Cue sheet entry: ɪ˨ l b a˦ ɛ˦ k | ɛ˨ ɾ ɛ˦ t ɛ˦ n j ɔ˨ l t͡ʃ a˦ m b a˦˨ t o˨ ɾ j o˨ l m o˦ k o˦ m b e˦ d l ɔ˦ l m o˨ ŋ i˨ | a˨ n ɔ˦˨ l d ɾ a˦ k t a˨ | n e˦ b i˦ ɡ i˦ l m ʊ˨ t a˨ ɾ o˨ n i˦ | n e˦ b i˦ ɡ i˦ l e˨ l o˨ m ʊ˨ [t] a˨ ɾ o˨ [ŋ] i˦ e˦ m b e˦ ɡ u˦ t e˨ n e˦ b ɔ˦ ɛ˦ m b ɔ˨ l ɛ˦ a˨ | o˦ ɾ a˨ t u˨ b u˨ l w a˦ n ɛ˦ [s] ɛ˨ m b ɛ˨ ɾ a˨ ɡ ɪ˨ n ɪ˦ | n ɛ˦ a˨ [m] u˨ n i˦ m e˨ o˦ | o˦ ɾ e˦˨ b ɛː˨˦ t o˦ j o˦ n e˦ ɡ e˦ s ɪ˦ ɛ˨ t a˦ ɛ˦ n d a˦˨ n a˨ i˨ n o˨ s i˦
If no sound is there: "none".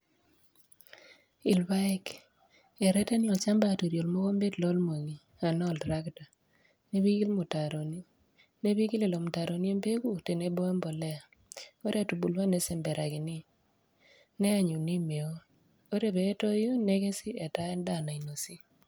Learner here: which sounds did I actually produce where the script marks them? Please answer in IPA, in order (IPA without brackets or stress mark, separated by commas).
t, n, s, ɲ